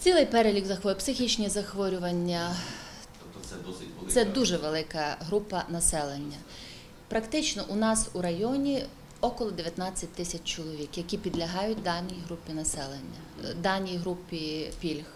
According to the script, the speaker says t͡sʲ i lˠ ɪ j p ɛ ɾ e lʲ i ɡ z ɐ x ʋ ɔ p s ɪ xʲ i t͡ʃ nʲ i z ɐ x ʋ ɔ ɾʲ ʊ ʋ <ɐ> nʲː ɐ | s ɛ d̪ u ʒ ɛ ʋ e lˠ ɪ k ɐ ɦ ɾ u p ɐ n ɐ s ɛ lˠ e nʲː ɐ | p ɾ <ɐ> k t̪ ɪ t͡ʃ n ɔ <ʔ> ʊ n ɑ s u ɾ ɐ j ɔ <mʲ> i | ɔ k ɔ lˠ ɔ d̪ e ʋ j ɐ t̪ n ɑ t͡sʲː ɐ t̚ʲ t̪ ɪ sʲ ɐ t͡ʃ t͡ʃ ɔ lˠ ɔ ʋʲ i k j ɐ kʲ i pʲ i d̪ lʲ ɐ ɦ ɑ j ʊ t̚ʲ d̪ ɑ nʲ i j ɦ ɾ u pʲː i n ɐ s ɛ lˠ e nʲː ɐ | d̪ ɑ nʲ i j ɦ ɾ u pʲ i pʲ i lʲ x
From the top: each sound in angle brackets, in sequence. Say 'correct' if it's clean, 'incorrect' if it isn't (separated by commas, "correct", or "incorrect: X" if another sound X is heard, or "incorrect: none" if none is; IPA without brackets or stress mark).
correct, correct, correct, incorrect: nʲ